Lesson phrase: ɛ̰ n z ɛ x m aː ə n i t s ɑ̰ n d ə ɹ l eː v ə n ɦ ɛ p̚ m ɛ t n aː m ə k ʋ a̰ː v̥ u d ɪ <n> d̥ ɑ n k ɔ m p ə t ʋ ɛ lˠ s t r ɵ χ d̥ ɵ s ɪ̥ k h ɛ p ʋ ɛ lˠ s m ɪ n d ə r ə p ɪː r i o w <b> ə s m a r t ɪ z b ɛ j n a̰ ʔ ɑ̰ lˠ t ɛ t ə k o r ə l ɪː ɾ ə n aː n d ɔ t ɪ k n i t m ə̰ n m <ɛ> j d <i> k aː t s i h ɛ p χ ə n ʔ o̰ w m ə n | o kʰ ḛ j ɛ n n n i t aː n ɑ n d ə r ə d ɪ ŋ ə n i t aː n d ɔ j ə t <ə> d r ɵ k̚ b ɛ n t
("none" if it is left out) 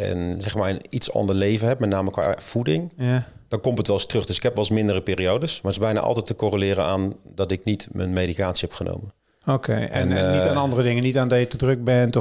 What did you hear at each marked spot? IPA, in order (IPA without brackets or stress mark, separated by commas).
ŋ, d, e, i, ə